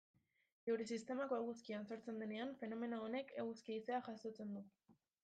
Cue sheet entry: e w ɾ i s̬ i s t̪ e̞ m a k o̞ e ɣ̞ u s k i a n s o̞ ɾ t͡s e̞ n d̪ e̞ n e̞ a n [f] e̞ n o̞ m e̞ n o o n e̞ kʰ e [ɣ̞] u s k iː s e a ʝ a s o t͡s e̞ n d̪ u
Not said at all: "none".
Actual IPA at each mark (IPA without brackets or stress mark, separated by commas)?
f, ɣ̞